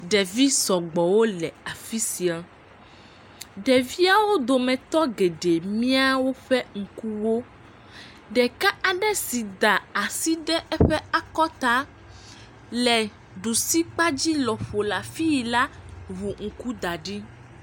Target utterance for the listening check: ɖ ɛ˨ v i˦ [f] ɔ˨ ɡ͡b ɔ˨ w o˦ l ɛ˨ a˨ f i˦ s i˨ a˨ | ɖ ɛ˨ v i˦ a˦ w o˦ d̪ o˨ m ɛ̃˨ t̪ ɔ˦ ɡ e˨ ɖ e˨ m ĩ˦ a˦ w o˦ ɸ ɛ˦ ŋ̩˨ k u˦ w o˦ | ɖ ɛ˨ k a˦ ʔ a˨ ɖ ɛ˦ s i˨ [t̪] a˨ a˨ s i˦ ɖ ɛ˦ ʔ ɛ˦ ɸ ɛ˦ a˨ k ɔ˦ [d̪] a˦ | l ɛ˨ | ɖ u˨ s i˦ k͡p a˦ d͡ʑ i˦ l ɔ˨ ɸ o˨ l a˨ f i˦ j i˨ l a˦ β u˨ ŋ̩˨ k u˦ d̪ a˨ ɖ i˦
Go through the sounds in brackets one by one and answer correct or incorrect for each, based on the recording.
incorrect, incorrect, incorrect

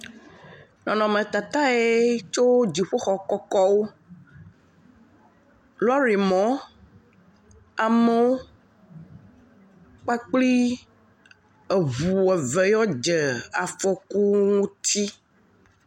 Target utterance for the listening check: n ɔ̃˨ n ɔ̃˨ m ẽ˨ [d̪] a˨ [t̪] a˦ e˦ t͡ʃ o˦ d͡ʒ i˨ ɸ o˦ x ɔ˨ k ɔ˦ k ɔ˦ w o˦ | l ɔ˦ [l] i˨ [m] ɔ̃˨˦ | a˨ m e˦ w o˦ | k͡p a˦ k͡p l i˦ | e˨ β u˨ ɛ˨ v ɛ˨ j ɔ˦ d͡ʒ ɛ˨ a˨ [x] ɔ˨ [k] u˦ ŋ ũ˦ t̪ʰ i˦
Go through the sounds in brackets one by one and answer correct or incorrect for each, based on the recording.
incorrect, correct, incorrect, correct, incorrect, correct

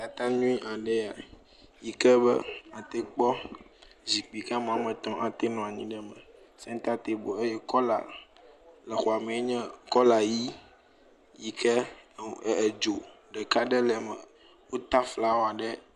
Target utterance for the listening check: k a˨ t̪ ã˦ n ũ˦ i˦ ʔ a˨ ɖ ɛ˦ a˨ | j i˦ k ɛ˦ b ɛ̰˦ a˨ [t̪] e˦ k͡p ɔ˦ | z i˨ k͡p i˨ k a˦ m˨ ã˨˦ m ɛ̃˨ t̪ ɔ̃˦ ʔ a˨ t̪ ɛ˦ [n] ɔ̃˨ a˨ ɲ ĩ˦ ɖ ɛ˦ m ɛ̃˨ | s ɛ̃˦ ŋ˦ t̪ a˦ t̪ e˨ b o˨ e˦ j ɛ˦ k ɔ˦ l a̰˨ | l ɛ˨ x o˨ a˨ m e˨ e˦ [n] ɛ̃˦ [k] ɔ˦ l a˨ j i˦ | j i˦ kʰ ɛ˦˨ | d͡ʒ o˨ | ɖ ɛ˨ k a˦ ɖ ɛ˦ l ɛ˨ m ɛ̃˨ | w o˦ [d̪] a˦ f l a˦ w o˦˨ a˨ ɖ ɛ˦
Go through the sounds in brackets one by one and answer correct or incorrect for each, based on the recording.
correct, correct, incorrect, correct, incorrect

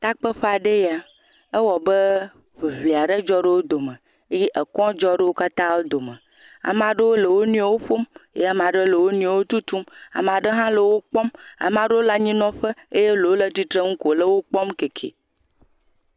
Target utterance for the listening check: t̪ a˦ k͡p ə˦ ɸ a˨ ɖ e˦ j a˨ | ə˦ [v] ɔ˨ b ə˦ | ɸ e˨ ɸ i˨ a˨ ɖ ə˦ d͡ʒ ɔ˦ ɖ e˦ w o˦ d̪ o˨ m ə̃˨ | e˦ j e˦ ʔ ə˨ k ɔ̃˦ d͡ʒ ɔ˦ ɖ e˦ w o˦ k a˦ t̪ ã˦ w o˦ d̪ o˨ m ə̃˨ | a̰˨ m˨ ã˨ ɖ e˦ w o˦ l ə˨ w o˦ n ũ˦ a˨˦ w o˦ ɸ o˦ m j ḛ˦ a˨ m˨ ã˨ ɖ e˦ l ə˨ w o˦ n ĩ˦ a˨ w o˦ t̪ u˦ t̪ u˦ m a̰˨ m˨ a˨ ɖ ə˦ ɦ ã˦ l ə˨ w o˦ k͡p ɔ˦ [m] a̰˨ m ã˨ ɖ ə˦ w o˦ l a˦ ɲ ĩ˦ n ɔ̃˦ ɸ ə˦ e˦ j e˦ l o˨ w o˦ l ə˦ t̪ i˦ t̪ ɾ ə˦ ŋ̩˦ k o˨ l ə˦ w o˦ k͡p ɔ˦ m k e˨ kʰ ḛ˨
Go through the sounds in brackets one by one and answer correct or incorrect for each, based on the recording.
incorrect, correct

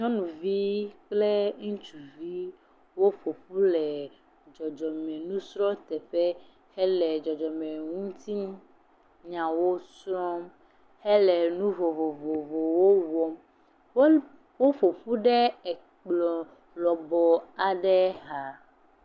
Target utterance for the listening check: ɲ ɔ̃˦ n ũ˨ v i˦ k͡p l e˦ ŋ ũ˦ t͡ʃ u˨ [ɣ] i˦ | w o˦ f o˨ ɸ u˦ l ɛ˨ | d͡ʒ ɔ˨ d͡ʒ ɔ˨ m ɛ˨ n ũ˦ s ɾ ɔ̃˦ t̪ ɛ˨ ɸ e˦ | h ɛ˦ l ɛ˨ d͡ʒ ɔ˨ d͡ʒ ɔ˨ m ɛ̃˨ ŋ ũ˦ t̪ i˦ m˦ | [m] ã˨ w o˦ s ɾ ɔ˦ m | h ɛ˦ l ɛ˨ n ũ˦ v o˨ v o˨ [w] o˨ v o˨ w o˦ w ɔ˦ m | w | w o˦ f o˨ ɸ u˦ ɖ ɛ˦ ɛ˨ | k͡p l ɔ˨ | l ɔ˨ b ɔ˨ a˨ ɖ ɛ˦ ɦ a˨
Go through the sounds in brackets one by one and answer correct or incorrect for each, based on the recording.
incorrect, incorrect, incorrect

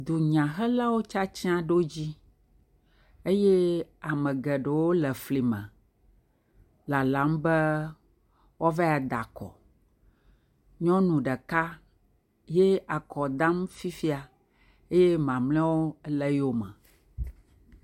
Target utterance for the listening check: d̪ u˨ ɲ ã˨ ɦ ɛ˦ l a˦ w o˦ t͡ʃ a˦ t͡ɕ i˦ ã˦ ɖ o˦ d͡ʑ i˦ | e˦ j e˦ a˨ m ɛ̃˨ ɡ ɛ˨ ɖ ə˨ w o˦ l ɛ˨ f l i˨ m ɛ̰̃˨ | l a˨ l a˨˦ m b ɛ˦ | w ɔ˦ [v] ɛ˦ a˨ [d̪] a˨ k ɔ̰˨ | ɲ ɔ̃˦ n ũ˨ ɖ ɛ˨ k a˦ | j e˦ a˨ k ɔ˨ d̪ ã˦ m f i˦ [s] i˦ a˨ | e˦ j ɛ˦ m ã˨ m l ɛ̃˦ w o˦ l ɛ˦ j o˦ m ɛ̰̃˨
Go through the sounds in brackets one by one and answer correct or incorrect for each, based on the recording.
correct, correct, incorrect

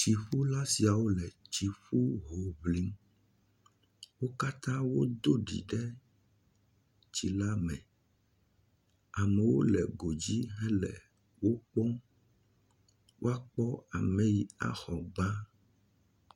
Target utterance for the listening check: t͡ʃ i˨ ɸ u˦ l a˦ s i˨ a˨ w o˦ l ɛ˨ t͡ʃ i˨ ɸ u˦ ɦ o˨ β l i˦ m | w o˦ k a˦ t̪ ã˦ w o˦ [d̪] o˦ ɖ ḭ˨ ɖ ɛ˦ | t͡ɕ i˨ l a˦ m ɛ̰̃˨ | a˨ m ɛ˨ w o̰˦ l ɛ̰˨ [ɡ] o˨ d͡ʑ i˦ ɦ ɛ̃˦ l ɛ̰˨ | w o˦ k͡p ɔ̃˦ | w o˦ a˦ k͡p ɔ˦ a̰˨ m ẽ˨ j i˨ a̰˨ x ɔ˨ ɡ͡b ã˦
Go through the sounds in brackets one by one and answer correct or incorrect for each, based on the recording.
correct, correct

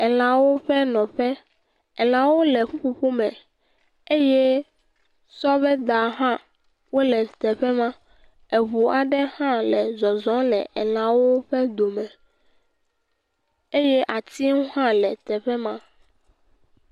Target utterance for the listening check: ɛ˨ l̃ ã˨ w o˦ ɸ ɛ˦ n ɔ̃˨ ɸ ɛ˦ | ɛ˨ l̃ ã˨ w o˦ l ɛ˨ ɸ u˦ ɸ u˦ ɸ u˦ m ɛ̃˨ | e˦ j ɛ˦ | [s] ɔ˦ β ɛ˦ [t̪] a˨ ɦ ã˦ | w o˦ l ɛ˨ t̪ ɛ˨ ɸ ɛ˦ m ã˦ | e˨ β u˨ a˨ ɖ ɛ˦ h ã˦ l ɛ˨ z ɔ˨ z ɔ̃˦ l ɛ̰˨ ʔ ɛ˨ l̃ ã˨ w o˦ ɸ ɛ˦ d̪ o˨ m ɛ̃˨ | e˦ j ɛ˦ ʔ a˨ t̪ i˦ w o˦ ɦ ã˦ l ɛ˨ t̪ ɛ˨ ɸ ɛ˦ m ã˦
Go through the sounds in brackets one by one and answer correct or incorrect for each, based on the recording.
correct, incorrect

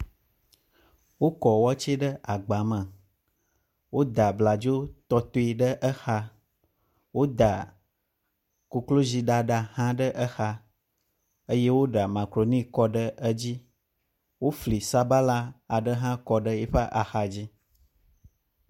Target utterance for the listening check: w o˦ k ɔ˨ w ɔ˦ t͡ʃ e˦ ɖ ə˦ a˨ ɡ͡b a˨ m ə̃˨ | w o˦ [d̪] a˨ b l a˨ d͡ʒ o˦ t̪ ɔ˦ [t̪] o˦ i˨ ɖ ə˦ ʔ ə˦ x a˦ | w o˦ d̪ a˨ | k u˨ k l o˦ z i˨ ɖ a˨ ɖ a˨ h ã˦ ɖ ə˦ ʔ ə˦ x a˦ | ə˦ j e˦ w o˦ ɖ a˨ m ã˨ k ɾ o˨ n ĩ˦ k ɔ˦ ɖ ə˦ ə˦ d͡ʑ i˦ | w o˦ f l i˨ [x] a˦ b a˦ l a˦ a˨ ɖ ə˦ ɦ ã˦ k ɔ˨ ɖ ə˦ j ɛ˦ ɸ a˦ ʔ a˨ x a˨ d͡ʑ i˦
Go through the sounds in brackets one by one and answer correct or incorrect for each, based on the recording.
correct, correct, incorrect

